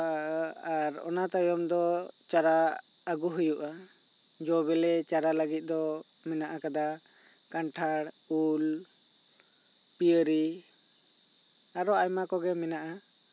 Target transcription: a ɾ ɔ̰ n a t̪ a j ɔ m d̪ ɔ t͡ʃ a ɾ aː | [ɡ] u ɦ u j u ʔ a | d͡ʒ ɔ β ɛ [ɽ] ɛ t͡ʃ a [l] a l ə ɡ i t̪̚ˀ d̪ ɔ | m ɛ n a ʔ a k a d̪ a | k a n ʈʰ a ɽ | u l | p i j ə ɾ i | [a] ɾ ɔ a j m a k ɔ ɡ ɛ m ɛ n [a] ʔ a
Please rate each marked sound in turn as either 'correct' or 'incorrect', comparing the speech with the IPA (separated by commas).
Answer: correct, incorrect, incorrect, correct, correct